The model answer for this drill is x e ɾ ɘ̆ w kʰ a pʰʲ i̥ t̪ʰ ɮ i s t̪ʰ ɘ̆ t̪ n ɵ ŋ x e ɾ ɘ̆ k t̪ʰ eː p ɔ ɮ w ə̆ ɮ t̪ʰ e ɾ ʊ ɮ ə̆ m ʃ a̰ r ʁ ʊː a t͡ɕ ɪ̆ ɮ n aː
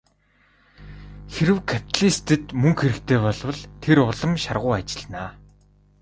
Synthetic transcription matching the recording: x e ɾ ɘ̆ w kʰ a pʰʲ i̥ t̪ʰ ɮ i s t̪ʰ ɘ̆ t̪ m ɵ ŋ x e ɾ ɘ̆ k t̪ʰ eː p ɔ ɮ w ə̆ ɮ t̪ʰ e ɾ ʊ ɮ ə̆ m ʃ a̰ r ʁ ʊː a t͡ɕ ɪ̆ ɮ n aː